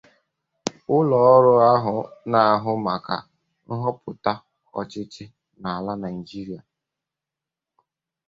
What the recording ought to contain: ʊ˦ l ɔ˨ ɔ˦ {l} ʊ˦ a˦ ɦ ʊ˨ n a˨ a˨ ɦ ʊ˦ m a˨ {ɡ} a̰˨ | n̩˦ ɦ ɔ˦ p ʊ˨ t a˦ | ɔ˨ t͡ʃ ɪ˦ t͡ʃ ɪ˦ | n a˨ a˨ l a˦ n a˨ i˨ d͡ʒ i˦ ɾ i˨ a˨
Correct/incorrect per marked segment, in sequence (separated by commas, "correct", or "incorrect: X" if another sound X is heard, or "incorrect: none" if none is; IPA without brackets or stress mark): incorrect: ɾ, incorrect: k